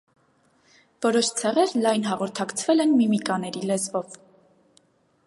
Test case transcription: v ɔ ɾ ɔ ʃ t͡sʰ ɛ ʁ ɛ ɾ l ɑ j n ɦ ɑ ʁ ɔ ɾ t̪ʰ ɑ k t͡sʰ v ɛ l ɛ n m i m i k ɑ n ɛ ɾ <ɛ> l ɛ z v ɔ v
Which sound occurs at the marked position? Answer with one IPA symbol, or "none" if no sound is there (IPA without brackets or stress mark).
i